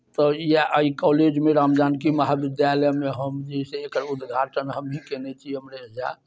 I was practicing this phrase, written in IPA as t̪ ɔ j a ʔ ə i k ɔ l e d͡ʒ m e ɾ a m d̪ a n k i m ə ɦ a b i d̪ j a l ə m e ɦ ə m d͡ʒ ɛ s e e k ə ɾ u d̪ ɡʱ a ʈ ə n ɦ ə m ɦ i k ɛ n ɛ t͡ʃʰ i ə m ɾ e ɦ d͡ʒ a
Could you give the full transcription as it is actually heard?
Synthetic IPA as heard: t̪ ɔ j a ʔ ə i k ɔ l e d͡ʒ m e ɾ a m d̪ a n k i m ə ɦ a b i d̪ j a l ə m e ɦ ə m d͡ʒ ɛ s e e k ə ɾ u d̪ ɡʱ a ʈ ə n ɦ ə m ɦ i k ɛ n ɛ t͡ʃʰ i ə m ɾ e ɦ d͡ʒ a

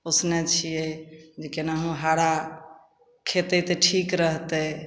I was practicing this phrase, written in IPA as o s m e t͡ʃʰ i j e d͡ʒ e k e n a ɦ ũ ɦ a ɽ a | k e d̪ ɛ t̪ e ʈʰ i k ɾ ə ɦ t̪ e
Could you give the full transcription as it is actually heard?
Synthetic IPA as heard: o s n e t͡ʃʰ i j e d͡ʒ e k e n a ɦ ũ ɦ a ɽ a | kʰ e t̪ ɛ t̪ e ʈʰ i k ɾ ə ɦ t̪ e

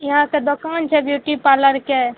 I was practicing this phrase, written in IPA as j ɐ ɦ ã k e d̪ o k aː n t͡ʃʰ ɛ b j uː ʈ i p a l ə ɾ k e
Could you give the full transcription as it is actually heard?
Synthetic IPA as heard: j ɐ ɦ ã k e d̪ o k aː n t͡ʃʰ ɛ b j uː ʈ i p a l ə ɾ k e

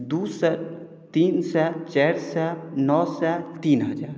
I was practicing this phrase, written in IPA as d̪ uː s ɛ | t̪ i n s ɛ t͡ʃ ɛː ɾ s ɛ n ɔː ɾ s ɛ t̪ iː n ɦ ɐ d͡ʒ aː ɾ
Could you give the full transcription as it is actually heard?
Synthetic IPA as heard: d̪ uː s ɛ | t̪ iː n s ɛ t͡ʃ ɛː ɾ s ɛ n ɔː s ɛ t̪ iː n ɦ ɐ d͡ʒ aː ɾ

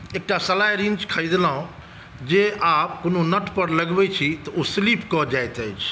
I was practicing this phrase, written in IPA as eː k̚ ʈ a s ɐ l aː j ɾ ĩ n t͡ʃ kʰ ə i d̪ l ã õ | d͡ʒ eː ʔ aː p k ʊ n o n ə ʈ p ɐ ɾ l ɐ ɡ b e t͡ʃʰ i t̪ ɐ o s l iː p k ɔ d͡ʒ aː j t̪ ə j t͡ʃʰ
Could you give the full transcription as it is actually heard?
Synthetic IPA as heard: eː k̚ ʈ a s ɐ l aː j ɾ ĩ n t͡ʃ kʰ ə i d̪ l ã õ | d͡ʒ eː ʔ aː p k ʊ n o n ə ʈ p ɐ ɾ l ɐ ɡ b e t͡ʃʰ i t̪ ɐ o s l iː p k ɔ d͡ʒ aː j t̪ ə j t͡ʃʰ

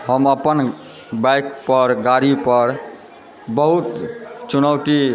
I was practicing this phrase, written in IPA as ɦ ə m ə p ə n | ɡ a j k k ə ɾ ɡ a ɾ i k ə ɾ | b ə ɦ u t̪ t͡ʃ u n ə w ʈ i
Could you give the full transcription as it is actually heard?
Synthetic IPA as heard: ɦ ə m ə p ə n | b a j k p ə ɾ ɡ a ɾ i p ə ɾ | b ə ɦ u t̪ t͡ʃ u n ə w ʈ i

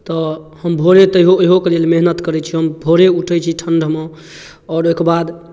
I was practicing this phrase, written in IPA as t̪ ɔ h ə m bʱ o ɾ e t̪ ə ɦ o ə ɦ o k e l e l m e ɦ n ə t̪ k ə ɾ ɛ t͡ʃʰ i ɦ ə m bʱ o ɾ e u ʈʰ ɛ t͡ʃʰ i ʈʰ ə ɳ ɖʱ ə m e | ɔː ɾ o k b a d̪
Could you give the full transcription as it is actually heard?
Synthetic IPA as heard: t̪ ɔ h ə m bʱ o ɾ e t̪ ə ɦ o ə ɦ o k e l e l m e ɦ n ə t̪ k ə ɾ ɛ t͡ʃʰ i ɦ ə m bʱ o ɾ e u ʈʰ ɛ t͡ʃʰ i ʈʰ ə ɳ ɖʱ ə m e | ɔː ɾ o k b a d̪

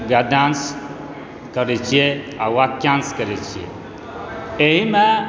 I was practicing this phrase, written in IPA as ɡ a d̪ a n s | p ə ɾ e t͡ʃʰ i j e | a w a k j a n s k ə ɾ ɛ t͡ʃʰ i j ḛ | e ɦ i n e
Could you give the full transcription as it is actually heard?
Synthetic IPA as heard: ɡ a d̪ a n s | k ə ɾ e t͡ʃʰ i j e | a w a k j a n s k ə ɾ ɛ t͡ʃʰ i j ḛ | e ɦ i m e

